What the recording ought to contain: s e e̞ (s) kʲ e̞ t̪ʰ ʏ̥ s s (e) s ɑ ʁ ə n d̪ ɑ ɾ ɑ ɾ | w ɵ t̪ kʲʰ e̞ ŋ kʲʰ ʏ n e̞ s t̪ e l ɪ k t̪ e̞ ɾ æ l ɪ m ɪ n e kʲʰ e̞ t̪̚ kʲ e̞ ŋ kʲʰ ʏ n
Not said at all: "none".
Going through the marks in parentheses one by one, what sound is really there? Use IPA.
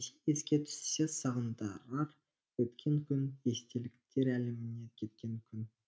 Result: s, e

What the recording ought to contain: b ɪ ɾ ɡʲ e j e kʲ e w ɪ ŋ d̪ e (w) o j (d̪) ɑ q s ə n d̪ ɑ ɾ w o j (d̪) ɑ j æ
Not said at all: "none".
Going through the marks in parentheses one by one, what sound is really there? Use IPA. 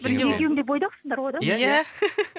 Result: b, d̪, d̪

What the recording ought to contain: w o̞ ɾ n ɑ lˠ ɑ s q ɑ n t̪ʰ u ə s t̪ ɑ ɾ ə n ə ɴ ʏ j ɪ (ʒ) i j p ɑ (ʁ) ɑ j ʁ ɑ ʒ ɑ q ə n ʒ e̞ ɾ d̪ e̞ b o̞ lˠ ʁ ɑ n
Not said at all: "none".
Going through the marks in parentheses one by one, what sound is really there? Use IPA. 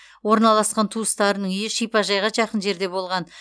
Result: ʃ, ʒ

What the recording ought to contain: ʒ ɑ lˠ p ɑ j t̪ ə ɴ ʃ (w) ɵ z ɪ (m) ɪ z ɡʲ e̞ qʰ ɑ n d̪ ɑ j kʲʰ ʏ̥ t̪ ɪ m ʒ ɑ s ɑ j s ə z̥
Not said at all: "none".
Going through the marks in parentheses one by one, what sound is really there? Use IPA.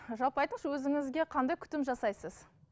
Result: w, ŋ

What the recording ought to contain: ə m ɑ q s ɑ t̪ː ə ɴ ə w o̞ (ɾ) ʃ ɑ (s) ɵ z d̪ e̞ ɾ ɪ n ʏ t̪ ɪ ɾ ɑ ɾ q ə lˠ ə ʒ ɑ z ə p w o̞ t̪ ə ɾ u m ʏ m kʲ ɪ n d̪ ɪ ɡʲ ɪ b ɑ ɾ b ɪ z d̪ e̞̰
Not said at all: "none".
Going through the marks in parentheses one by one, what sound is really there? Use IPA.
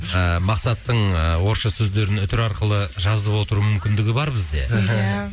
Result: ɾ, s

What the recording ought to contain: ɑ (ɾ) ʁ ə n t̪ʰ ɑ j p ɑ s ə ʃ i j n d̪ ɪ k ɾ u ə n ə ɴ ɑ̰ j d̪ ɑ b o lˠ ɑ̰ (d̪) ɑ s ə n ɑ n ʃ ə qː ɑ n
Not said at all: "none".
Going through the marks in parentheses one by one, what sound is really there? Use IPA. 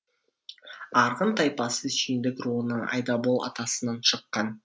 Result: ɾ, t̪

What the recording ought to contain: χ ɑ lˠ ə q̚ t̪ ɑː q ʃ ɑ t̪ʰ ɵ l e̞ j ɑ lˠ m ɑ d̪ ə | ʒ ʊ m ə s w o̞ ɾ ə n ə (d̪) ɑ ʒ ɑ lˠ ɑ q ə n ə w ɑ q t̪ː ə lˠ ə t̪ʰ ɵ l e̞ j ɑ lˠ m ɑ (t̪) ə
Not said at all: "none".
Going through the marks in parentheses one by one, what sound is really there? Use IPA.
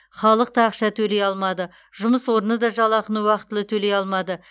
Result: d̪, d̪

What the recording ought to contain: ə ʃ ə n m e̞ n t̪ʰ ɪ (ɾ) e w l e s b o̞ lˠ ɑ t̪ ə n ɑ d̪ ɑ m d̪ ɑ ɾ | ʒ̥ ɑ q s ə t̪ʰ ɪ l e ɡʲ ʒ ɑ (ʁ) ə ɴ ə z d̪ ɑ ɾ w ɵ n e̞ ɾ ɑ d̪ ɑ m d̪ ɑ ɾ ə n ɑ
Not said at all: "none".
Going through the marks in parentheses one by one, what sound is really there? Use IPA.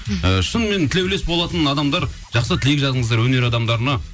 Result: l, z

